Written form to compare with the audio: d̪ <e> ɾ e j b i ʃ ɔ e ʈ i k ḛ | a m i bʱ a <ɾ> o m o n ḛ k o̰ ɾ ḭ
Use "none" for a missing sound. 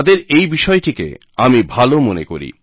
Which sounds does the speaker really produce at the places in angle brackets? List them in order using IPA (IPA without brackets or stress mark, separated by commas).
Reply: e, l